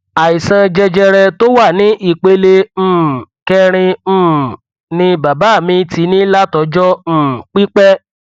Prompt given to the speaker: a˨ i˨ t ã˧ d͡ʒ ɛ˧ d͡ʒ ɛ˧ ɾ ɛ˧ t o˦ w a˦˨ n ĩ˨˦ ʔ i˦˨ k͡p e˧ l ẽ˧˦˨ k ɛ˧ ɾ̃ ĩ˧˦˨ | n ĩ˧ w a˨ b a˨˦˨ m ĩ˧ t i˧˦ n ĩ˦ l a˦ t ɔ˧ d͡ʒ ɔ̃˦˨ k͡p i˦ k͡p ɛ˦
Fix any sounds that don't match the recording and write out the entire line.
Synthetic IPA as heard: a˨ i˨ s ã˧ d͡ʒ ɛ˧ d͡ʒ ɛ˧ ɾ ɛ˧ t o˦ w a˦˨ n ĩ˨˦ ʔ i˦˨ k͡p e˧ l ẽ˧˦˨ k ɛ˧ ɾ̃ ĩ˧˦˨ | n ĩ˧ b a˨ b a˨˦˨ m ĩ˧ t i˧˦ n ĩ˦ l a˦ t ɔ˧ d͡ʒ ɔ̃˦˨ k͡p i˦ k͡p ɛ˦